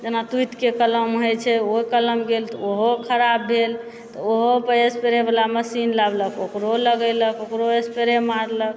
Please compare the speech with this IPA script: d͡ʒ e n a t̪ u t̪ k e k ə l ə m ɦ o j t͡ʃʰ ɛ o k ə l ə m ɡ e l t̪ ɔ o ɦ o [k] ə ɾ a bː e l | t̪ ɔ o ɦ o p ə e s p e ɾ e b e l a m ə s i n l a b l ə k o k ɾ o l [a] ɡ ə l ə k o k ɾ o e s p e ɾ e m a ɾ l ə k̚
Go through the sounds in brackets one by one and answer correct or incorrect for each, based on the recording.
incorrect: kʰ, incorrect: ə

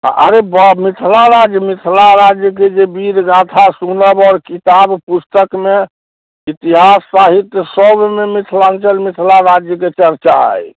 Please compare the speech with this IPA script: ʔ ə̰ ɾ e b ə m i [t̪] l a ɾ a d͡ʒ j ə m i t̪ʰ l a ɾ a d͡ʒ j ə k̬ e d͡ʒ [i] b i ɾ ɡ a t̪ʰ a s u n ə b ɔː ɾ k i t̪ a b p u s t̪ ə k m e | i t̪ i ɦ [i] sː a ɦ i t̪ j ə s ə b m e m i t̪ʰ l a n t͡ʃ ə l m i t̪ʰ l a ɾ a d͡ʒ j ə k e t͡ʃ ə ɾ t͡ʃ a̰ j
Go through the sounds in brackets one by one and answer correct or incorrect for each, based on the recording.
incorrect: t̪ʰ, incorrect: e, incorrect: a

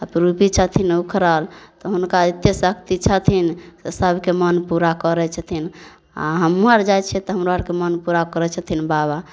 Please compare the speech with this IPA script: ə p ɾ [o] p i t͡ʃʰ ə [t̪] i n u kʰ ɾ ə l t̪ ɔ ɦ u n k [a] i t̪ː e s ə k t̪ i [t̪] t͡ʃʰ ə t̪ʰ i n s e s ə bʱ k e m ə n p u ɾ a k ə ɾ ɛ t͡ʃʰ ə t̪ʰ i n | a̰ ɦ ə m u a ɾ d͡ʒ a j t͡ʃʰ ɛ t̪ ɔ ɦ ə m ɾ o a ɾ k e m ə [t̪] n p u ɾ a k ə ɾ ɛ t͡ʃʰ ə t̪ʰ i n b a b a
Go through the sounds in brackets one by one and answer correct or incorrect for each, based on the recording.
incorrect: u, incorrect: t̪ʰ, correct, incorrect: none, incorrect: none

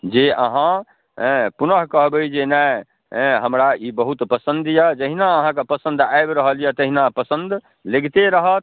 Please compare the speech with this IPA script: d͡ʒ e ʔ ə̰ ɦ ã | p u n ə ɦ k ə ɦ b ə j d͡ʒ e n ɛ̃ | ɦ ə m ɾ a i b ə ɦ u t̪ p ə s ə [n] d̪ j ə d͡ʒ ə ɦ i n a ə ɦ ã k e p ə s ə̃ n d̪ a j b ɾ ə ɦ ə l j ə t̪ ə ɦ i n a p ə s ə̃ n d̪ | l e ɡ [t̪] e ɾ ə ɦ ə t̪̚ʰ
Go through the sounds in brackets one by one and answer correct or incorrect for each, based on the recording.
correct, correct

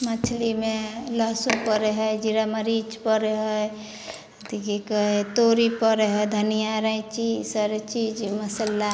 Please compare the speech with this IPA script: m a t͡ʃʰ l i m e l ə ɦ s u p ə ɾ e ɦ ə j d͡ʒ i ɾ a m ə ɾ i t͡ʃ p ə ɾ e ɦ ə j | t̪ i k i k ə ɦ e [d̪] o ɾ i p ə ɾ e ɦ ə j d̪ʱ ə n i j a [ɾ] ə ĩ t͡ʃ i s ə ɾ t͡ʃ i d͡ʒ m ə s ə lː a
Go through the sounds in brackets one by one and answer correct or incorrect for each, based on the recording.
incorrect: t̪, correct

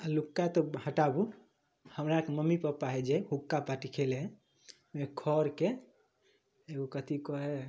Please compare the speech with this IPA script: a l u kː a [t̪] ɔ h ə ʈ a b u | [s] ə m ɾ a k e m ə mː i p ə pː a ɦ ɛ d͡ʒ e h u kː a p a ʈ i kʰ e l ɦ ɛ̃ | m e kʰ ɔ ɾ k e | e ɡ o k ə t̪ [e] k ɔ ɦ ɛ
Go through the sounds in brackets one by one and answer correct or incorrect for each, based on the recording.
correct, incorrect: h, incorrect: i

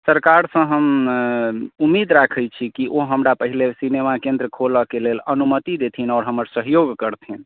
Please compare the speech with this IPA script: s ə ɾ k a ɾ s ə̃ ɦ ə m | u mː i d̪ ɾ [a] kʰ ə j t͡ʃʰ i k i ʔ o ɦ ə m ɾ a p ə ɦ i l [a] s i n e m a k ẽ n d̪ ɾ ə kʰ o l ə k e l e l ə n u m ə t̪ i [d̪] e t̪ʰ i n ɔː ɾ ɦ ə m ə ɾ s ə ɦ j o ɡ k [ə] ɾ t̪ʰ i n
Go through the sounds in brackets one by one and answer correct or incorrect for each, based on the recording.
correct, incorrect: e, correct, correct

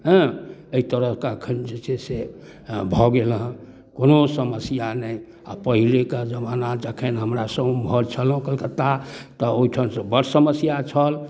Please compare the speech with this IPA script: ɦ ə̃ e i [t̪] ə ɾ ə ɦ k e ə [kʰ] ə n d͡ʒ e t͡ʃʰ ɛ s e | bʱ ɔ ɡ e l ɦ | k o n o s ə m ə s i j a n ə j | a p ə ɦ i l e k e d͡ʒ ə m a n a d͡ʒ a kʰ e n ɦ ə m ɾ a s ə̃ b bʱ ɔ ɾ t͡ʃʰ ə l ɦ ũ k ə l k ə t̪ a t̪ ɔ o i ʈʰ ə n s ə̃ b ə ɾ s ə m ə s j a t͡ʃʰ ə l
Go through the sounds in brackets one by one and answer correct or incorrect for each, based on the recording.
correct, correct

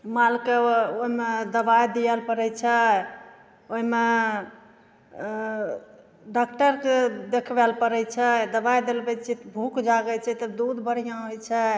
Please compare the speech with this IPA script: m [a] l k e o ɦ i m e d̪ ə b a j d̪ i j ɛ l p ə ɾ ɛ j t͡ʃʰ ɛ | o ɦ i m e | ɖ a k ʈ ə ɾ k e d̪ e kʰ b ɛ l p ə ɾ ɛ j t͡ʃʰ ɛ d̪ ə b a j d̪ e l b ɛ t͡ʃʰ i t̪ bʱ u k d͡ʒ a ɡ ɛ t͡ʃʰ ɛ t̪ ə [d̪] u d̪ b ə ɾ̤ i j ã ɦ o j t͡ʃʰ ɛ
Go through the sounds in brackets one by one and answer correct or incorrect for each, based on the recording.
correct, correct

